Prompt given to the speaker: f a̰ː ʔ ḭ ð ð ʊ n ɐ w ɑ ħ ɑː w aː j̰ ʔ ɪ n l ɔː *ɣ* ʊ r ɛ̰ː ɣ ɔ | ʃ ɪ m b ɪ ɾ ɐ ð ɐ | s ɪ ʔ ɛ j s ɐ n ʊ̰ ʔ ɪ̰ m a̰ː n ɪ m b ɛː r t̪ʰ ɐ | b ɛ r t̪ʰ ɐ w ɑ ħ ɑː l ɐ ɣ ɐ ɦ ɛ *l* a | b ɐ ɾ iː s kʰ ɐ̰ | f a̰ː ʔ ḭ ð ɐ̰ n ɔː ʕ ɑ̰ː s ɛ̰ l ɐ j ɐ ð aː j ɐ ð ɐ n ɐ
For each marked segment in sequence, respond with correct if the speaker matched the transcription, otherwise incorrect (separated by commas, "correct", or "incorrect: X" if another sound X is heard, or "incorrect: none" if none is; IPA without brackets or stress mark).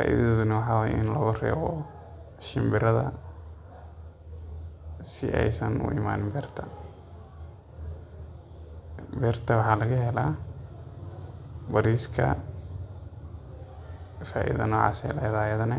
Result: correct, correct